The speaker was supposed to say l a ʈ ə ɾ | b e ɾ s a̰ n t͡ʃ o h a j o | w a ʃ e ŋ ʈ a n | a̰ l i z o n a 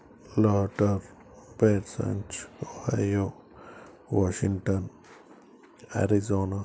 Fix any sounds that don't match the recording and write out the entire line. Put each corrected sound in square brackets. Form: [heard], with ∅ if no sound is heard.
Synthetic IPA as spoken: l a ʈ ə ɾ | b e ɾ s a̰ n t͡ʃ o h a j o | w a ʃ [i] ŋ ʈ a n | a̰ [ɾ] i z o n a